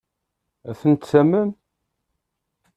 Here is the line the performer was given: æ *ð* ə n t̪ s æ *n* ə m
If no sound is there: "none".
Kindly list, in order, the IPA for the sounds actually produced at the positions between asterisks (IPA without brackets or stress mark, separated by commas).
θ, m